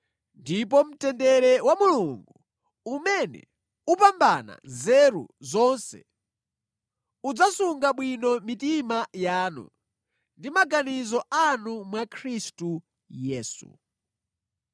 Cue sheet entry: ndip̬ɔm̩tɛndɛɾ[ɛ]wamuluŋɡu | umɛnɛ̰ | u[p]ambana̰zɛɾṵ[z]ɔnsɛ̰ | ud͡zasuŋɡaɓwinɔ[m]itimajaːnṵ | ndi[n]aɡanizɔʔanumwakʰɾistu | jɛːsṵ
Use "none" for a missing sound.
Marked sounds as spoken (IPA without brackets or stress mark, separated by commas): ɛ, p, z, m, m